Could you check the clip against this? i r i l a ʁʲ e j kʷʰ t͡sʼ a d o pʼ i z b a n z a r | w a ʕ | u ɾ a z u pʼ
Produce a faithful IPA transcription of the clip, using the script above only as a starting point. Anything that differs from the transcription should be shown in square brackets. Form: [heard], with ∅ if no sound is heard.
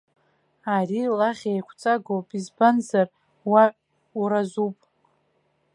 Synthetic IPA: [a] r i l a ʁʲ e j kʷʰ t͡sʼ a [ɡ] o pʼ i z b a n z a r | w a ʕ | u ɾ a z u pʼ